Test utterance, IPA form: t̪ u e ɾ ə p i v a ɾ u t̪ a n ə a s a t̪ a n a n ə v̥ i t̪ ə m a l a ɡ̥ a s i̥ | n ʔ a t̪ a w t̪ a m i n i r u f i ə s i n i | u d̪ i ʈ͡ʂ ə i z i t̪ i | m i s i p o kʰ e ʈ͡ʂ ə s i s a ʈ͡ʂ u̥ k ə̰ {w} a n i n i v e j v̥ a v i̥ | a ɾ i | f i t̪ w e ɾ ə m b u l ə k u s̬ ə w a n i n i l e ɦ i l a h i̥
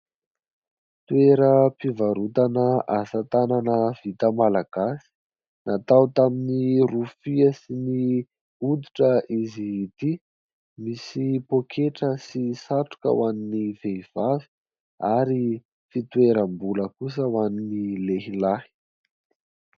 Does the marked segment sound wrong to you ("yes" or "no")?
no